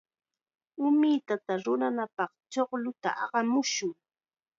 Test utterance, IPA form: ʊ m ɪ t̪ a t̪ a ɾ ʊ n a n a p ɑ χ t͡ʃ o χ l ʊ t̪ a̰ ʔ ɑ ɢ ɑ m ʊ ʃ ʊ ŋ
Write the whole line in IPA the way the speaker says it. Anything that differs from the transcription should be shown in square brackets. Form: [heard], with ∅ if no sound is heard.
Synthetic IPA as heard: ʊ m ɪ t̪ a t̪ a ɾ ʊ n a n a p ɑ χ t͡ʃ o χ l ʊ t̪ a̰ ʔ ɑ ɢ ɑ m ʊ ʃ ʊ ŋ